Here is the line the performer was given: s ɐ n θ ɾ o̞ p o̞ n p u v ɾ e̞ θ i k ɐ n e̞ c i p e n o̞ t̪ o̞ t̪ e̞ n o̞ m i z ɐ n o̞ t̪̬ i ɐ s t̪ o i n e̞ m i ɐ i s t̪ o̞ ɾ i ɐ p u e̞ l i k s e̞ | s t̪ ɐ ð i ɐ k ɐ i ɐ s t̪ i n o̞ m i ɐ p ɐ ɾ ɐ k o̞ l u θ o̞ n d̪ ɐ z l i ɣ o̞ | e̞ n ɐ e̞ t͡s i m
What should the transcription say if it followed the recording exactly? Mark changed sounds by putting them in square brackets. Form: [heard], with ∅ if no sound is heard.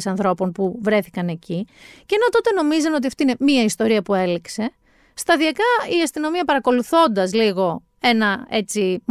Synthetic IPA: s ɐ n θ ɾ o̞ p o̞ n p u v ɾ e̞ θ i k ɐ n e̞ c i [c] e n o̞ t̪ o̞ t̪ e̞ n o̞ m i z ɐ n o̞ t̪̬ i ɐ [f] t̪ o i n e̞ m i ɐ i s t̪ o̞ ɾ i ɐ p u e̞ l i k s e̞ | s t̪ ɐ ð i ɐ k ɐ i ɐ s t̪ i n o̞ m i ɐ p ɐ ɾ ɐ k o̞ l u θ o̞ n d̪ ɐ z l i ɣ o̞ | e̞ n ɐ e̞ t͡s i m